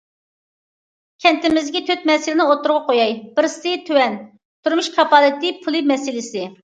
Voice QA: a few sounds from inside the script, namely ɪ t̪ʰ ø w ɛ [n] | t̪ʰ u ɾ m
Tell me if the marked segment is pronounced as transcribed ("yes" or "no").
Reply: yes